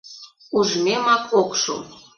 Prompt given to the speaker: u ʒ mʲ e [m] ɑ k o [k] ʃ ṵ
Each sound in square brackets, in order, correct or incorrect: correct, correct

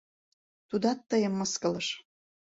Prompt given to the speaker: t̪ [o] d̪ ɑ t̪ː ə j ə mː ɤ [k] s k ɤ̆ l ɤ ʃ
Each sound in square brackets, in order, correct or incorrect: incorrect: u, incorrect: none

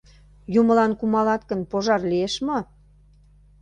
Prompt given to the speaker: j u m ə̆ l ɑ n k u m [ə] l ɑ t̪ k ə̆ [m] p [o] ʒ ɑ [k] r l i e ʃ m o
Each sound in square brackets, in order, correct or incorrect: incorrect: ɑ, incorrect: n, correct, incorrect: none

